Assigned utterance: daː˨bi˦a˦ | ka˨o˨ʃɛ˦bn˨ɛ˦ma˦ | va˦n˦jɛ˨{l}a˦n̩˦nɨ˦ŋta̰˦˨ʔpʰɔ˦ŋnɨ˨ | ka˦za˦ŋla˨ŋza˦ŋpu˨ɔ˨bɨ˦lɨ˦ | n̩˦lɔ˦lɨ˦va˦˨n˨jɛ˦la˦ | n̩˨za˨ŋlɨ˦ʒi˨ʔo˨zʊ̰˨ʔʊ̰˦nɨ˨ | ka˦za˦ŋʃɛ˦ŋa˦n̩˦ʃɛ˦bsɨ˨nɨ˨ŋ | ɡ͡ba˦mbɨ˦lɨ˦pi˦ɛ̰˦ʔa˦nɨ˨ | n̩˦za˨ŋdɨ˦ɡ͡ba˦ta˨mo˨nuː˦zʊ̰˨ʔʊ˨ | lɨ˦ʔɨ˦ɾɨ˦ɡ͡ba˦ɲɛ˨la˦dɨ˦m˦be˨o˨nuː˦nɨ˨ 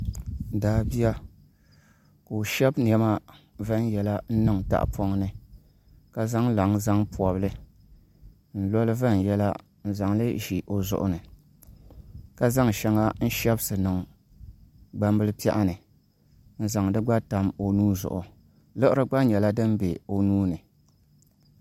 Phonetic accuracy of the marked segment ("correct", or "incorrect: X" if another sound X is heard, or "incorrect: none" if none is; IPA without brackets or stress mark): correct